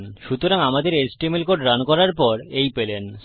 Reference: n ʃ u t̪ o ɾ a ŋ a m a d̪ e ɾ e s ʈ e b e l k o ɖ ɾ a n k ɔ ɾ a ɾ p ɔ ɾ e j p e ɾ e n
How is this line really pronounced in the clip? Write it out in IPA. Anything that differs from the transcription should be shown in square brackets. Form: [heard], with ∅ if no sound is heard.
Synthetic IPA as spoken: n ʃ u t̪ o ɾ a ŋ a m a d̪ e ɾ e s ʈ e [m] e l k o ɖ ɾ a n k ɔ ɾ a ɾ p ɔ ɾ e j p e [l] e n

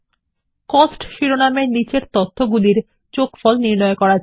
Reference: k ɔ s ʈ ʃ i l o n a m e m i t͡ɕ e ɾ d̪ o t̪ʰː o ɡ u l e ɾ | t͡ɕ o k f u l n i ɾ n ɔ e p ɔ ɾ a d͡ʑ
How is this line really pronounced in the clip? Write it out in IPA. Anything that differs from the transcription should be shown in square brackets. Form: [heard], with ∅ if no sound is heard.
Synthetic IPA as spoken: k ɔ s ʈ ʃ i [ɾ] o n a m e [n] i t͡ɕ e ɾ [t̪] o t̪ʰː o ɡ u l [i] ɾ | t͡ɕ o k f [ɔ] l n i ɾ n ɔ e [k] ɔ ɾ a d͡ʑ

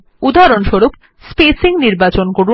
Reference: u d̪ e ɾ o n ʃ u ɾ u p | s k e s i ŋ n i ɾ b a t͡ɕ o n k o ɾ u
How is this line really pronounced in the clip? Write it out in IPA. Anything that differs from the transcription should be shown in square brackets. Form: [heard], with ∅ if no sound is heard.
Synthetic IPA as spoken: u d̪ [a] ɾ o n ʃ [o] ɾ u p | s [p] e s i ŋ n i ɾ b a t͡ɕ o n k o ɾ u

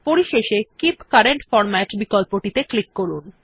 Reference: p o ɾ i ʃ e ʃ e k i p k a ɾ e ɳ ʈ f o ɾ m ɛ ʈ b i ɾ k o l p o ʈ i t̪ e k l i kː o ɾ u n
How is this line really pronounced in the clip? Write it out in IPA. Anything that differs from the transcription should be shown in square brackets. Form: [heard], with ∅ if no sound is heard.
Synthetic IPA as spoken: p o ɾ i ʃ e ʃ e k i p k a ɾ e ɳ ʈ f [ɔ] ɾ m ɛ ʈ b i [∅] k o l p o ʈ i t̪ e k l i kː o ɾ u n

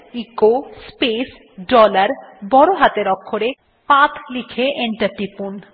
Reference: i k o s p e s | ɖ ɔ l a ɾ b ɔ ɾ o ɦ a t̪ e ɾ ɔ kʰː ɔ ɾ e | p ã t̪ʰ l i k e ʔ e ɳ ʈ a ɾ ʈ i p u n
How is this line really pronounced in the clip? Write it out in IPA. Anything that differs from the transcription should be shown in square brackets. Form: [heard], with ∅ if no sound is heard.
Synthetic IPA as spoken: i k o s p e s | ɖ ɔ l a ɾ b ɔ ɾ o ɦ a t̪ e ɾ ɔ kʰː [o] ɾ e | p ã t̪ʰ l i [kʰ] e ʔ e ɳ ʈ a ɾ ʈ i p u n

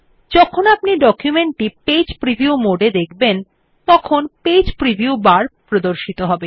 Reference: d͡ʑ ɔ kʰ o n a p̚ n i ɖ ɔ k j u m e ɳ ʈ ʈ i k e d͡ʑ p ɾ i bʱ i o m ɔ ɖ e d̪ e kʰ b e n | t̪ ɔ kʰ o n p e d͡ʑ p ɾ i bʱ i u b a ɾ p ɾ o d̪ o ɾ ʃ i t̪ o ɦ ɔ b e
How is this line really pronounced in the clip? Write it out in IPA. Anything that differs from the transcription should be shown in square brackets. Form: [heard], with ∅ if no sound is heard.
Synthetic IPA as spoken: d͡ʑ ɔ kʰ o n a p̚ n i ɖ ɔ k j u m e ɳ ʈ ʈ i [p] e d͡ʑ p ɾ i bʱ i [u] m [o] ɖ e d̪ e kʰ b e n | t̪ ɔ kʰ o n p e d͡ʑ p ɾ i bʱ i u b a ɾ p ɾ o d̪ o ɾ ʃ i t̪ o ɦ ɔ b e

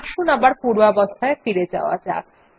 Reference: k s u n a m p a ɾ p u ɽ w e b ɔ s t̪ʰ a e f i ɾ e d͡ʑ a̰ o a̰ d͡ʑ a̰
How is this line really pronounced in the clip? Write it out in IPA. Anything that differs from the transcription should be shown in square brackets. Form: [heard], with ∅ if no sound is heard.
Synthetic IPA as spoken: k [ʃ] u n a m [b] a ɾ p u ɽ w [a] b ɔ s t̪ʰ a e f i ɾ e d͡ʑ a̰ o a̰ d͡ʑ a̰

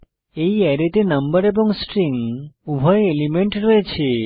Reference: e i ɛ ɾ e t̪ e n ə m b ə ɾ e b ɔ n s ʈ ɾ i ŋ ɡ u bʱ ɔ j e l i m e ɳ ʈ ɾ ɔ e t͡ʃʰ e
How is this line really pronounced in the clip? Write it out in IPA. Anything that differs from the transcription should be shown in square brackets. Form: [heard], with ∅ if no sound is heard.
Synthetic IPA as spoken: e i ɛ ɾ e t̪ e n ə m b ə ɾ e b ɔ [ŋ] s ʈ ɾ i ŋ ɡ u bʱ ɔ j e l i m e ɳ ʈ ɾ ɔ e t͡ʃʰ e

